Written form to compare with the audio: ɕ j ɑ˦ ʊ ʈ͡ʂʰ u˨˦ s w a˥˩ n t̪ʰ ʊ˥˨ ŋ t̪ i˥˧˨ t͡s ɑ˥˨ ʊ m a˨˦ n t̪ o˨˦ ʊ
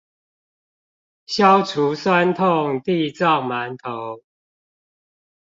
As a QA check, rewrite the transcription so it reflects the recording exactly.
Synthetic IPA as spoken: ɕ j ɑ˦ ʊ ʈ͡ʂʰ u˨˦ s w a˦ n t̪ʰ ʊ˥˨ ŋ t̪ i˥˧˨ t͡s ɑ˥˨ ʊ m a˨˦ n t̪ʰ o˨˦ ʊ

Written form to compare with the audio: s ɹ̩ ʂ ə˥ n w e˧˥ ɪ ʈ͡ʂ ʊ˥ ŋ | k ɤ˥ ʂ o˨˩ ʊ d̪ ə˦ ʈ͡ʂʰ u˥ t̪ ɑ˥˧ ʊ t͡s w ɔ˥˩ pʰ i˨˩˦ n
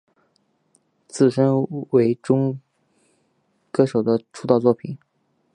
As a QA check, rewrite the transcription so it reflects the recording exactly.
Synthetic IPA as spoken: t͡s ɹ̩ ʂ ə˥ n w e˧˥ ɪ ʈ͡ʂ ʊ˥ ŋ | k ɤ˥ ʂ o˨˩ ʊ d̪ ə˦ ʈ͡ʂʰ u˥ t̪ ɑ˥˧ ʊ t͡s w ɔ˥˩ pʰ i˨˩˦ n

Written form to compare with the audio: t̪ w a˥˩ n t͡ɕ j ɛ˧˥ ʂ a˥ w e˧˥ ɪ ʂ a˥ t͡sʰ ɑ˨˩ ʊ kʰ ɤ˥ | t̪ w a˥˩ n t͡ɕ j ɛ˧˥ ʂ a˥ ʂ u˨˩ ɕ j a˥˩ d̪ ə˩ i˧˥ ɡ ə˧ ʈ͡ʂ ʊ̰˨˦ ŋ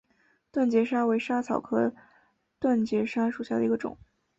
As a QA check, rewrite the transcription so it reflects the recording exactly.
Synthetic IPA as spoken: t̪ w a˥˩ n t͡ɕ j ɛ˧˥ ʂ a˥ w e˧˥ ɪ ʂ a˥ t͡sʰ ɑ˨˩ ʊ kʰ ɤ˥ | t̪ w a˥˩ n t͡ɕ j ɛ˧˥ ʂ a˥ ʂ u˨˩ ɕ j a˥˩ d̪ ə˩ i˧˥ ɡ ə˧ ʈ͡ʂ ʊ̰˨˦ ŋ

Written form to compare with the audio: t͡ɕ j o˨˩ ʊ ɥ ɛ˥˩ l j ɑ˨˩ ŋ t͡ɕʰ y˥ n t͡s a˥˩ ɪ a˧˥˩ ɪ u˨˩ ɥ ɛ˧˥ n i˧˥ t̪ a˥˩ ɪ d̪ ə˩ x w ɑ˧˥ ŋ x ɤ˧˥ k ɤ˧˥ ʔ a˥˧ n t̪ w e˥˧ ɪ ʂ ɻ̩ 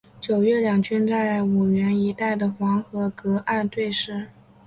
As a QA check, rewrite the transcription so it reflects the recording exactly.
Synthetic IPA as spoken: t͡ɕ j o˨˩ ʊ ɥ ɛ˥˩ l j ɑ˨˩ ŋ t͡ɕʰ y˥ n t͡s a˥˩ ɪ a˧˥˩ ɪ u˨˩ ɥ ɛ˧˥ n i˧˥ t̪ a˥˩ ɪ d̪ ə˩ x w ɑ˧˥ ŋ x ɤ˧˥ k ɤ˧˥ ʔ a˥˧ n t̪ w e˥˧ ɪ ʂ ɻ̩

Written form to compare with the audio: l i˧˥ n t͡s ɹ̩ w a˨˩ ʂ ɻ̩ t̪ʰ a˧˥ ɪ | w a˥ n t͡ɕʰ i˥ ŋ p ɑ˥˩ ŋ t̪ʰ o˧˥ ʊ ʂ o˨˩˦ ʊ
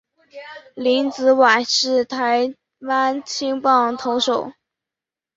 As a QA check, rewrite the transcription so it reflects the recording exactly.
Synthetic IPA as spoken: l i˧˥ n t͡s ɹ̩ w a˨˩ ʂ ɻ̩ t̪ʰ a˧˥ ɪ | w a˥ n t͡ɕʰ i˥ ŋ p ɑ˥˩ ŋ t̪ʰ o˧˥ ʊ ʂ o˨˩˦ ʊ

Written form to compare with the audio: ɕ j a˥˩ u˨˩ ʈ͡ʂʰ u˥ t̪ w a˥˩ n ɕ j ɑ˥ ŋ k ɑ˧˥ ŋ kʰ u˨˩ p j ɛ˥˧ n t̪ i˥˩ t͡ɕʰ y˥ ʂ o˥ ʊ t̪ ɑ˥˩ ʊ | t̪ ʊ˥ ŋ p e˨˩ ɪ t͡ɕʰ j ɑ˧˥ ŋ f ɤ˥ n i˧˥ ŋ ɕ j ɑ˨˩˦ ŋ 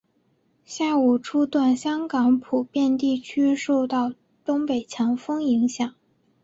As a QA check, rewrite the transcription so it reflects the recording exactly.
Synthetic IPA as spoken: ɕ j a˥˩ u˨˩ ʈ͡ʂʰ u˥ t̪ w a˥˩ n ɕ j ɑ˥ ŋ k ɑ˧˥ ŋ pʰ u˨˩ p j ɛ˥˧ n t̪ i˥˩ t͡ɕʰ y˥ ʂ o˥˧ ʊ t̪ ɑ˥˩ ʊ | t̪ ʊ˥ ŋ p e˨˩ ɪ t͡ɕʰ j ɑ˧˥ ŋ f ɤ˥ ŋ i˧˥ ŋ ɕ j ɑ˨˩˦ ŋ

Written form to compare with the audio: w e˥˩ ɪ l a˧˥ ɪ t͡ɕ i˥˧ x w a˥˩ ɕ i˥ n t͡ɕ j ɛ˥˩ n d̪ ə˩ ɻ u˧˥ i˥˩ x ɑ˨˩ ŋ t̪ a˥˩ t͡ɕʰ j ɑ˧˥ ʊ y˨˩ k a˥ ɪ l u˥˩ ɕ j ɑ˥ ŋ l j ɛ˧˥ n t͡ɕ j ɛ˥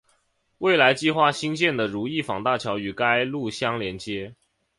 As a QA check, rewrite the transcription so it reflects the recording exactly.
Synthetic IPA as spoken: w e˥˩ ɪ l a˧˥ ɪ t͡ɕ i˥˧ x w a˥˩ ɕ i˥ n t͡ɕ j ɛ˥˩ n d̪ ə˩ ɻ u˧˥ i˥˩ f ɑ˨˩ ŋ t̪ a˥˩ t͡ɕʰ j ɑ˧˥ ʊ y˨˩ k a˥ ɪ l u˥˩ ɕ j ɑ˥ ŋ l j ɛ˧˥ n t͡ɕ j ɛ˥

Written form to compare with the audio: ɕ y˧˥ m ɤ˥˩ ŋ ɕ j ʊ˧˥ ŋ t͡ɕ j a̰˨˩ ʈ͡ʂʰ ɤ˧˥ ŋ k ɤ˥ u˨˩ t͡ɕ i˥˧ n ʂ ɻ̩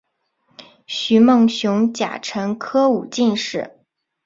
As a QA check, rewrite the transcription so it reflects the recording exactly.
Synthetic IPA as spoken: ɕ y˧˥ m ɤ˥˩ ŋ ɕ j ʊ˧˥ ŋ t͡ɕ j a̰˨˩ ʈ͡ʂʰ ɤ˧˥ ŋ kʰ ɤ˥ u˨˩ t͡ɕ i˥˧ n ʂ ɻ̩

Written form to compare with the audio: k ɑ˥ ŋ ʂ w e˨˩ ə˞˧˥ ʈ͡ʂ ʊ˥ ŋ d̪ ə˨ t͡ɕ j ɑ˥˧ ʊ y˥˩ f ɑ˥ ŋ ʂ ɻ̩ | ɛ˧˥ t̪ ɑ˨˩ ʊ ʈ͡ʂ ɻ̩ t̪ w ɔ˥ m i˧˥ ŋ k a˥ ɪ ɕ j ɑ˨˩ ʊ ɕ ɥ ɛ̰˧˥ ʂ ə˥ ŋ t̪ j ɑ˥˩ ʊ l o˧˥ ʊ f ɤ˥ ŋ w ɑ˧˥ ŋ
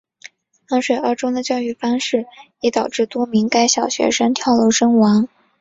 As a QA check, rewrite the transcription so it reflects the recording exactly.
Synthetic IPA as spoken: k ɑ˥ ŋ ʂ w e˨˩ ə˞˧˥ ʈ͡ʂ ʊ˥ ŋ d̪ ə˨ t͡ɕ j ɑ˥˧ ʊ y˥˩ f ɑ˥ ŋ ʂ ɻ̩ | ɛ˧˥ t̪ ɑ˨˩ ʊ ʈ͡ʂ ɻ̩ t̪ w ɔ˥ m i˧˥ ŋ k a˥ ɪ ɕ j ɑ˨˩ ʊ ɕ ɥ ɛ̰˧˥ ʂ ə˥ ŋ t̪ʰ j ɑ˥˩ ʊ l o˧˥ ʊ ʂ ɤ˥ ŋ w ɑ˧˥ ŋ

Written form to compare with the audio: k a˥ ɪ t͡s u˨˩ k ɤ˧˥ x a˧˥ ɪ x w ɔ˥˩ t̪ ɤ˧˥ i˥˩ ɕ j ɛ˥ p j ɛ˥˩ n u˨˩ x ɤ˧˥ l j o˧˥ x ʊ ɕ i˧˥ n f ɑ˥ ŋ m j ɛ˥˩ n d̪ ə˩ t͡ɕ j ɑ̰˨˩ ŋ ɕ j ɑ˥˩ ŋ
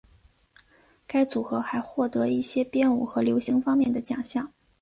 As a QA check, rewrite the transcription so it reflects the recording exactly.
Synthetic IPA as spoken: k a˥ ɪ t͡s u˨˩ x ɤ˧˥ x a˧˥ ɪ x w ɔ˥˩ t̪ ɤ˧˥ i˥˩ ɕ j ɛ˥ p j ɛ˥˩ n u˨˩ x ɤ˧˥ l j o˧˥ ʊ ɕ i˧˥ ŋ f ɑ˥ ŋ m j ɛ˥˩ n d̪ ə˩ t͡ɕ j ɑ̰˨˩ ŋ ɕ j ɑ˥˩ ŋ

